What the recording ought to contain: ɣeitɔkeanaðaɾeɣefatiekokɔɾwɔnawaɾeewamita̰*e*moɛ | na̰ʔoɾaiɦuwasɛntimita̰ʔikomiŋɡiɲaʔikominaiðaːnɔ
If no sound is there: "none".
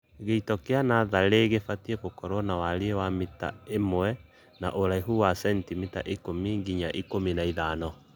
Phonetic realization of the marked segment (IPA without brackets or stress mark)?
e